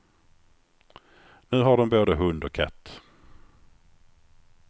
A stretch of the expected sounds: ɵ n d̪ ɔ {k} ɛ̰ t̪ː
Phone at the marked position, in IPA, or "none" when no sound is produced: kʰ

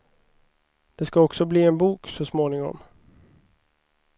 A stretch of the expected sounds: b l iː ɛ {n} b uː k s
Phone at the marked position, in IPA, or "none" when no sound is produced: n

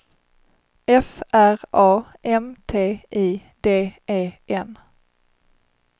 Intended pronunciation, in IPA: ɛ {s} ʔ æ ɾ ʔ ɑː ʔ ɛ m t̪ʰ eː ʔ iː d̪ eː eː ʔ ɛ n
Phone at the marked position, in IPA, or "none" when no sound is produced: f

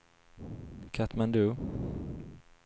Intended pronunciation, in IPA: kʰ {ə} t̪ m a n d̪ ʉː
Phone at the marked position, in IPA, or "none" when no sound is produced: a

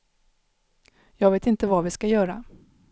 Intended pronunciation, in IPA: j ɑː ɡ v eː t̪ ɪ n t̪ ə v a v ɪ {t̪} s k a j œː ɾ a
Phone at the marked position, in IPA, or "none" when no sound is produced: none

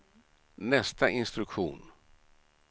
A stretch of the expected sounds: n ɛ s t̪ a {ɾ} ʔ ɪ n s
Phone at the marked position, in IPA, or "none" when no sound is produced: none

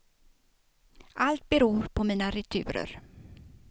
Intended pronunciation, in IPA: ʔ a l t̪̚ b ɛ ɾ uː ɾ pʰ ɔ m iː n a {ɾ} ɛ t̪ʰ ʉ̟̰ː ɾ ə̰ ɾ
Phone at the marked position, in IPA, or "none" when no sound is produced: ɾ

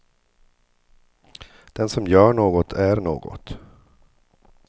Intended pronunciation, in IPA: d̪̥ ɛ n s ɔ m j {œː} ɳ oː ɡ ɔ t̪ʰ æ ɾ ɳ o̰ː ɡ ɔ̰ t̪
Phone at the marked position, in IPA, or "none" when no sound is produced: œː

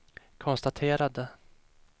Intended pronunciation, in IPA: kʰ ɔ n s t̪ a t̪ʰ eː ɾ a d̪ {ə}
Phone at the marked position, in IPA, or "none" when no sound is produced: ə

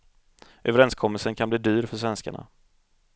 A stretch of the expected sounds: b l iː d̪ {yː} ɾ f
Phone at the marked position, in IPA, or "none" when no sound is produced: yː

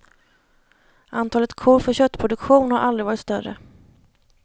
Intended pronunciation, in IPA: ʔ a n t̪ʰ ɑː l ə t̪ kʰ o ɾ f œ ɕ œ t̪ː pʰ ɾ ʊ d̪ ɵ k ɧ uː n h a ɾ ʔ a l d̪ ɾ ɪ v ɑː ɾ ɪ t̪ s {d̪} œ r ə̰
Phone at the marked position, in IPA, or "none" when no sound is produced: t̪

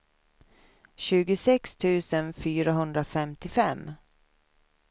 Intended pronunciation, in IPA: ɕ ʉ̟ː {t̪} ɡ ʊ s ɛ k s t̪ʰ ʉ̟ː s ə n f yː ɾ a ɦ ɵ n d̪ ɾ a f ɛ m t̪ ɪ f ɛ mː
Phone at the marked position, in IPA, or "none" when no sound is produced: none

